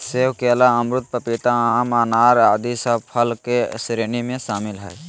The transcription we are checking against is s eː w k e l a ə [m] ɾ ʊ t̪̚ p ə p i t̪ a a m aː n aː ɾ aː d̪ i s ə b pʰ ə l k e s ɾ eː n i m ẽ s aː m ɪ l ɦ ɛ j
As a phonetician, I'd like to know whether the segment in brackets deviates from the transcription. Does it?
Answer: no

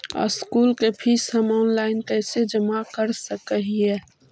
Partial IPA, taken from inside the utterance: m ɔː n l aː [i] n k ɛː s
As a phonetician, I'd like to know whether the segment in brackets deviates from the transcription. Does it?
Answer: yes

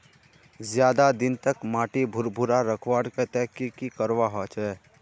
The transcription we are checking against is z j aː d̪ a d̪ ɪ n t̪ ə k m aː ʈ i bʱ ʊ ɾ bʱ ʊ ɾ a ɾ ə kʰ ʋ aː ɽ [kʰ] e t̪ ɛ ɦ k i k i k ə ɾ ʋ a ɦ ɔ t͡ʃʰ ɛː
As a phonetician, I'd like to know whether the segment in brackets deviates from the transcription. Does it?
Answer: yes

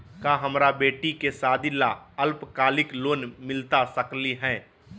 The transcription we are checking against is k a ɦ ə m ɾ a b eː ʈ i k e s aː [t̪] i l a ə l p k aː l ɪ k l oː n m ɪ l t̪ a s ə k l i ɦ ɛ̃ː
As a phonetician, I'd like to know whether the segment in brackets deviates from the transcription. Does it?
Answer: yes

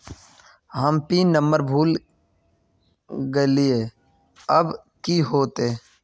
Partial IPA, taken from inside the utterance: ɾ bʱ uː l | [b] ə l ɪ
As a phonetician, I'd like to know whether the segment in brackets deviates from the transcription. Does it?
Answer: yes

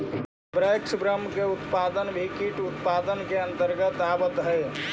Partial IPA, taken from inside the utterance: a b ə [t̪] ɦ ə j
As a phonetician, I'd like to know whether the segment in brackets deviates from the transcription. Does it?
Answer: no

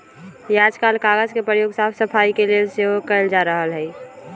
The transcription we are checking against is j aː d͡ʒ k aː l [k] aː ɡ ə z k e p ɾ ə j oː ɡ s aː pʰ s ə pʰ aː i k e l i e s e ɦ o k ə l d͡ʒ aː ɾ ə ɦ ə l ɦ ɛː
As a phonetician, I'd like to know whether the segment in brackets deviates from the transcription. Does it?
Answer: no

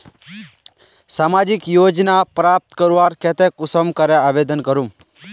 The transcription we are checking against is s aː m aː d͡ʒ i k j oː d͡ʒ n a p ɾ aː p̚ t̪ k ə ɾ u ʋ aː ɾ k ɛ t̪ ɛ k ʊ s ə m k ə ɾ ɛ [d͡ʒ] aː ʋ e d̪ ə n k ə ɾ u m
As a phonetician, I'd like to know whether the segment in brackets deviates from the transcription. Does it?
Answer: yes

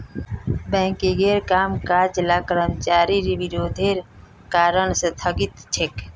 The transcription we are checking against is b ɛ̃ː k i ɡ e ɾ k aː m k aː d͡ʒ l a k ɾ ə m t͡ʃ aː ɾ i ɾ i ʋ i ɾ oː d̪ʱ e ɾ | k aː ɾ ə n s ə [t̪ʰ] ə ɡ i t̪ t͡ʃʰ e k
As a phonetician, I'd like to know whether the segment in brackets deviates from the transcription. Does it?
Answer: no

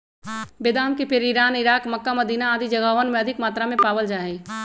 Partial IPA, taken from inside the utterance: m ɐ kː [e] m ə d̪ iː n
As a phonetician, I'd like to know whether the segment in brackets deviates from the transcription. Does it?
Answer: yes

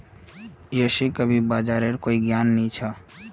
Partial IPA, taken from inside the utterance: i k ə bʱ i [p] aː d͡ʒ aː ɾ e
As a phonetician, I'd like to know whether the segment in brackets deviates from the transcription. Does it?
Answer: yes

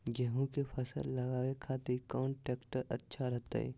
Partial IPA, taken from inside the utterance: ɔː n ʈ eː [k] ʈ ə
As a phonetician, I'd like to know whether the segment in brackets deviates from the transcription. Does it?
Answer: no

